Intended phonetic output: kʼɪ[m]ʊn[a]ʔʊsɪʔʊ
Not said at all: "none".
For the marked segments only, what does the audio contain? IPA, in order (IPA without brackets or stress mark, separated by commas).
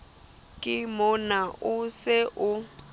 m, a